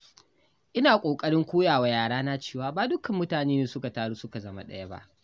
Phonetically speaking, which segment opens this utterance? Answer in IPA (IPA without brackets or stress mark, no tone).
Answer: ʔ